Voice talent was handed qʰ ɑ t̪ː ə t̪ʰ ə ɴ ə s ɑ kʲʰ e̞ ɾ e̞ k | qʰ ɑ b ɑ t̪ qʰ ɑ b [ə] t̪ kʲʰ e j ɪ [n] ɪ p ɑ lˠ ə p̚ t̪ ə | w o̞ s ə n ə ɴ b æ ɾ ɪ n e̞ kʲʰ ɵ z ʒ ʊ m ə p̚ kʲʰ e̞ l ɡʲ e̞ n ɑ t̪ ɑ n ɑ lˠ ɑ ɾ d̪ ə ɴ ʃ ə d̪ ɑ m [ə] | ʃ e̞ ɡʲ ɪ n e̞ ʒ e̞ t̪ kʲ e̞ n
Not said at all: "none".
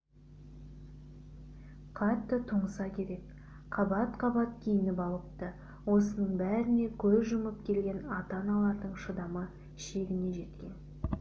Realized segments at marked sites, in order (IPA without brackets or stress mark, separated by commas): ɑ, n, ə